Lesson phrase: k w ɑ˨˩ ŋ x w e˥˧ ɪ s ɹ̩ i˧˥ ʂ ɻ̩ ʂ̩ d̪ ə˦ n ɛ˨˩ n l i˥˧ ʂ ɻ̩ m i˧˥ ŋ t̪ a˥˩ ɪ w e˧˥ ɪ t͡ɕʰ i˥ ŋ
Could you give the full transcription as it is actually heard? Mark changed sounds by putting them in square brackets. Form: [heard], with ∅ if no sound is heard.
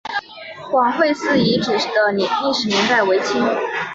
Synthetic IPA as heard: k w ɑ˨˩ ŋ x w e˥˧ ɪ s ɹ̩ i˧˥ [ʈ͡ʂ] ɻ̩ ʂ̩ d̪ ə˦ n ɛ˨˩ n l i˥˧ ʂ ɻ̩ m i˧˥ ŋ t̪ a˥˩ ɪ w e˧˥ ɪ t͡ɕʰ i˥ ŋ